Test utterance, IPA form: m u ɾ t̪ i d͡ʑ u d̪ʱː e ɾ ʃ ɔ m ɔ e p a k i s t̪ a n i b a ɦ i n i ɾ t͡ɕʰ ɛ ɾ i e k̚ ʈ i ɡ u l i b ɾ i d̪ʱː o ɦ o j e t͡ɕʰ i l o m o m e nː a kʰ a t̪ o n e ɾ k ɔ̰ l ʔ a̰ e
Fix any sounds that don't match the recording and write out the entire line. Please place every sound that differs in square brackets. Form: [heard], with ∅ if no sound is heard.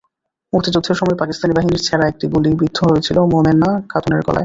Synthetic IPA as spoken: m u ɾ t̪ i d͡ʑ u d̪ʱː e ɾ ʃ ɔ m ɔ e p a k i s t̪ a n i b a ɦ i n i ɾ t͡ɕʰ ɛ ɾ [a] e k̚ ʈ i ɡ u l i b ɾ i d̪ʱː o ɦ o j e t͡ɕʰ i l o m o m e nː a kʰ a t̪ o n e ɾ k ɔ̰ l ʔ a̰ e

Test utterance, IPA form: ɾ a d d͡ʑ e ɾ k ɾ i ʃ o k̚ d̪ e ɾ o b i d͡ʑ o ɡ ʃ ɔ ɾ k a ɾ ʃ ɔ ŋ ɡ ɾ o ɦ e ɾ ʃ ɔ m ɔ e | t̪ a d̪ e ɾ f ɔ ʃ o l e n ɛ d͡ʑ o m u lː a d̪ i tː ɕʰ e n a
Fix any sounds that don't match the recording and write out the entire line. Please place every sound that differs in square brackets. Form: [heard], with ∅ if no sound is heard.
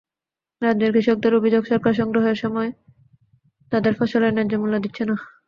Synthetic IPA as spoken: ɾ a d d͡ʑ e ɾ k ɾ i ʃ o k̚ d̪ e ɾ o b i d͡ʑ o ɡ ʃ ɔ ɾ k a ɾ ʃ ɔ ŋ ɡ ɾ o ɦ e ɾ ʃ ɔ m ɔ e | t̪ a d̪ e ɾ f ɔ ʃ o l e n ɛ d͡ʑ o m u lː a d̪ i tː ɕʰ e n a

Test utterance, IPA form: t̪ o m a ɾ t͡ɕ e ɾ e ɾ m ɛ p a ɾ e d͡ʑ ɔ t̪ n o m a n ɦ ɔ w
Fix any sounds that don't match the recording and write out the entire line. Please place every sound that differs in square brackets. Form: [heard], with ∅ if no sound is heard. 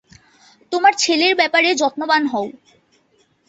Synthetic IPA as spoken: t̪ o m a ɾ [t͡ɕʰ] e [l] e ɾ [b] ɛ p a ɾ e d͡ʑ ɔ t̪ n o [b] a n ɦ ɔ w

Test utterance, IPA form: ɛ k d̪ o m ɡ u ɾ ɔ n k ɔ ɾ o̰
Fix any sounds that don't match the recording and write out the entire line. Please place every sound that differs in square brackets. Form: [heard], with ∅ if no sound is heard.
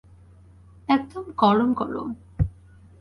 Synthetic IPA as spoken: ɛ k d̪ o m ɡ [ɔ] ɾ [o] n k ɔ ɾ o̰

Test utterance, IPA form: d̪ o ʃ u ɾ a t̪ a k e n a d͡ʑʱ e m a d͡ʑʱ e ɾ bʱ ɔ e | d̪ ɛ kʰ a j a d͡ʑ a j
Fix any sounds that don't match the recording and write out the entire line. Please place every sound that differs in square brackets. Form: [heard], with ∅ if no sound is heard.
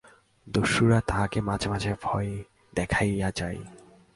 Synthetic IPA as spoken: d̪ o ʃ u ɾ a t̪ a k e [m] a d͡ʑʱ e m a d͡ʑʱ e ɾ bʱ ɔ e | d̪ ɛ kʰ a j a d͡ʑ a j

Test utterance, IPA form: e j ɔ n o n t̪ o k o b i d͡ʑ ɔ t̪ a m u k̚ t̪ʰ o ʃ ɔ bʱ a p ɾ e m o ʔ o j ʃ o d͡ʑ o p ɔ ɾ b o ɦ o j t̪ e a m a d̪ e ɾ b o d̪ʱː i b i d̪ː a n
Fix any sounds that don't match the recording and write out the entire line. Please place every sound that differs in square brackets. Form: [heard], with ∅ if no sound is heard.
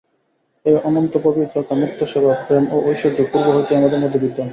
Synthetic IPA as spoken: e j ɔ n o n t̪ o [p] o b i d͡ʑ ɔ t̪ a m u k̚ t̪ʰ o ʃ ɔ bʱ a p ɾ e m o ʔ o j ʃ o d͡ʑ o p [u] ɾ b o ɦ o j t̪ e a m a d̪ e ɾ [m] o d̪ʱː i b i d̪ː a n

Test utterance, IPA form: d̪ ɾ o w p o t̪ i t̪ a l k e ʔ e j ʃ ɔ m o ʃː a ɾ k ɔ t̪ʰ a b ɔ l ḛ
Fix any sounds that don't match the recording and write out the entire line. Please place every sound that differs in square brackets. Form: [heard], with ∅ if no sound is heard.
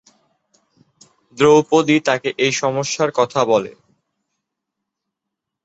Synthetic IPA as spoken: d̪ ɾ o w p o [d̪] i t̪ a [∅] k e ʔ e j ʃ ɔ m o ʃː a ɾ k ɔ t̪ʰ a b ɔ l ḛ

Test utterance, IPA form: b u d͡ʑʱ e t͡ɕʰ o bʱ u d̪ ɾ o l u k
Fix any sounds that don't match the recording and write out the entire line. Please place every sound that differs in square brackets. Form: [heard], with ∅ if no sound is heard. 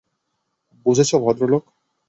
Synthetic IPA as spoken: b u d͡ʑʱ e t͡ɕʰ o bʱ [ɔ] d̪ ɾ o l [o] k

